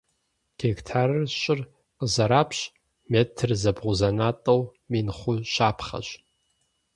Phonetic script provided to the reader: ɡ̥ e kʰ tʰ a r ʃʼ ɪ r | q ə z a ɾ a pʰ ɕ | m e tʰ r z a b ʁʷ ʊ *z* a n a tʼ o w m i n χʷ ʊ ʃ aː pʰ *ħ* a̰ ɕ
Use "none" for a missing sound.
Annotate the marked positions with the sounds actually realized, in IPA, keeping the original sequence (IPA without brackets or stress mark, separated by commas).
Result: z, χ